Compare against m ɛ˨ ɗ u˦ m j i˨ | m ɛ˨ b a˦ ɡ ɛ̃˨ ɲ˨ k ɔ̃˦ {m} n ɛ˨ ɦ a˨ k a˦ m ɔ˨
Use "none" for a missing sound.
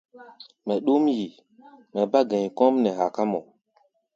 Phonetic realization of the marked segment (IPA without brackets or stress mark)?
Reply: m